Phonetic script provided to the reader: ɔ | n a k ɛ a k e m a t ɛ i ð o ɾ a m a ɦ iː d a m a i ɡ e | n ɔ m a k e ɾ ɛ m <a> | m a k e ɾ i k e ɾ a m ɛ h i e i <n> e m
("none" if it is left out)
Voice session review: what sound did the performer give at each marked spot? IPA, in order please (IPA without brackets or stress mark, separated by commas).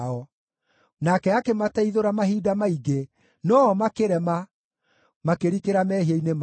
a, n